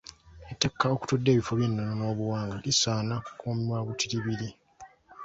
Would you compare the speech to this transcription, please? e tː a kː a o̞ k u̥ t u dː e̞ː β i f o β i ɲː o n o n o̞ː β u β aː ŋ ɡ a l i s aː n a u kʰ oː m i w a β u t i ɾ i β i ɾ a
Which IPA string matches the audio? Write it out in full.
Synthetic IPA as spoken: e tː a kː a o̞ k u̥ t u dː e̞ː β i f o β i nː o n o n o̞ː β u w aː ŋ ɡ a l i s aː n a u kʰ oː m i w a β u t i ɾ i β i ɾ i

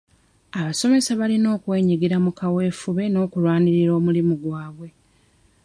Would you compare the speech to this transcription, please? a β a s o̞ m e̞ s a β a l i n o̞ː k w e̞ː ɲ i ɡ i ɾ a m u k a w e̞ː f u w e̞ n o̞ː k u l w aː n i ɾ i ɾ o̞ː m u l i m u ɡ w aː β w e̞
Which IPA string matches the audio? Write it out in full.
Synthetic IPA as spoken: a β a s o̞ m e̞ s a β a l i n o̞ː k w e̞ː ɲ i ɡ i ɾ a m u k a w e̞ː f u β e̞ n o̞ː k u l w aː n i ɾ i ɾ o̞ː m u l i m u ɡ w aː β w e̞

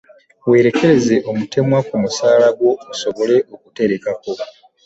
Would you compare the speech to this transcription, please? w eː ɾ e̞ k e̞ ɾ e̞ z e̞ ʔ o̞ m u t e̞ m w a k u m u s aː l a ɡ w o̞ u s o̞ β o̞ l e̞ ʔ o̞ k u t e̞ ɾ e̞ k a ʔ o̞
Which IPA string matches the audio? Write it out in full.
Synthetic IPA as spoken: w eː ɾ e̞ k e̞ ɾ e̞ z e̞ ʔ o̞ m u t e̞ m w a k u m u s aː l a ɡ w o̞ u s o̞ β o̞ l e̞ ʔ o̞ k u t e̞ ɾ e̞ k a k o̞

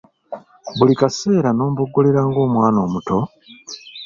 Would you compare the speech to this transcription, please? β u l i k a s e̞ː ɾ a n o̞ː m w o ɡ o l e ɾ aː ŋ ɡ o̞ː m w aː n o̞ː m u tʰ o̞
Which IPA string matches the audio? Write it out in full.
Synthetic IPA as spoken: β u l i k a s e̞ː ɾ a n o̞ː m b o ɡ o l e ɾ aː ŋ ɡ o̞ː m w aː n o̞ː m u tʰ o̞

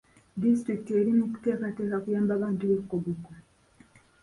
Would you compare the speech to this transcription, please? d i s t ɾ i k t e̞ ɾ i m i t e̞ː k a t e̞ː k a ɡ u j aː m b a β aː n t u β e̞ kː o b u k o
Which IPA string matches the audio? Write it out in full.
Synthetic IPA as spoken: d i s t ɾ i k t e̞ ɾ i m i t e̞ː k a t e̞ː k a k u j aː m b a β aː n t u β e̞ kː o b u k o

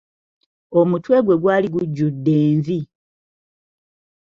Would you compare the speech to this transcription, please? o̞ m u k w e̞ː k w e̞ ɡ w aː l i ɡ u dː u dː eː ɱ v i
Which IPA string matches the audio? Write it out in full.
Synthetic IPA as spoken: o̞ m u t w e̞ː ɡ w e̞ ɡ w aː l i ɡ u ɟː u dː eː ɱ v i

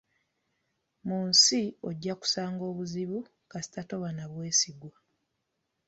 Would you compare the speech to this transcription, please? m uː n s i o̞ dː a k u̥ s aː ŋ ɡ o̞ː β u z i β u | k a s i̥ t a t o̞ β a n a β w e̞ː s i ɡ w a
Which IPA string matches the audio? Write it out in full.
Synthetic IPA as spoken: m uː n s i o̞ ɟː a k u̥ s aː ŋ ɡ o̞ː β u z i β u | k a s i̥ t a t o̞ β a n a β w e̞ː s i ɡ w a

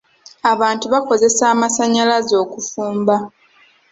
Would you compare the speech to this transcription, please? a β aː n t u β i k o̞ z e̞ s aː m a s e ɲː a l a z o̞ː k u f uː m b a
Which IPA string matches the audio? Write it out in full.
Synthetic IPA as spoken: a β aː n t u β a k o̞ z e̞ s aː m a s a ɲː a l a z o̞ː k u f uː m b a

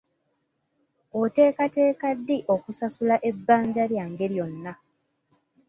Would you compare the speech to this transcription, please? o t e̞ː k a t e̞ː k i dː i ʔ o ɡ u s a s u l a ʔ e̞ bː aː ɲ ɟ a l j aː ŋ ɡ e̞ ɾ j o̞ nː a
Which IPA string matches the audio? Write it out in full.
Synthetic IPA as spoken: o t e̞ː k a t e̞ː k a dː i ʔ o k u s a s u l a ʔ e̞ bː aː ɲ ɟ a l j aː ŋ ɡ e̞ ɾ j o̞ nː a

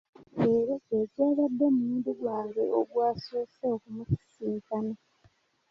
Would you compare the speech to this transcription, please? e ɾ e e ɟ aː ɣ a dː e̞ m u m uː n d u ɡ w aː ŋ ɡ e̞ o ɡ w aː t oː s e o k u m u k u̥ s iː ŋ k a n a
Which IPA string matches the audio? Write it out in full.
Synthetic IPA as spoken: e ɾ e e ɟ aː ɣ a dː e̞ m u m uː n d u ɡ w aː ŋ ɡ e̞ o ɡ w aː s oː s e o k u m u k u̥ s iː ŋ k a n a

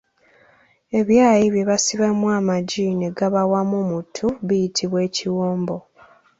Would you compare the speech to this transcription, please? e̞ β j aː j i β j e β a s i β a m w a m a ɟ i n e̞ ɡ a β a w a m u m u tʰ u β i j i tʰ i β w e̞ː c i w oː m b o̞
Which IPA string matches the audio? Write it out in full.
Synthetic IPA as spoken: e̞ β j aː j i β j e β a s i β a m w a m a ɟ i n e̞ ɡ a β a w a m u m u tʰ u β i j i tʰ i β w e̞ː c i w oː m b o̞

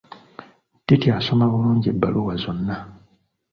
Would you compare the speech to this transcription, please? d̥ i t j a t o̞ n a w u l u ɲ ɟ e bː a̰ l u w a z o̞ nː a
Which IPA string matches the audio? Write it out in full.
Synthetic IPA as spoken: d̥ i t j a s o̞ m a β u l uː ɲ ɟ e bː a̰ l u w a z o̞ nː a

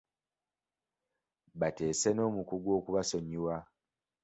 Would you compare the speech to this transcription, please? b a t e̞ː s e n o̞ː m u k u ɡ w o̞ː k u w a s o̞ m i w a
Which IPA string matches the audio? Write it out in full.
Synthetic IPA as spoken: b a t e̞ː s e n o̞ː m u k u ɡ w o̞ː k u β a s o̞ ɲ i w a

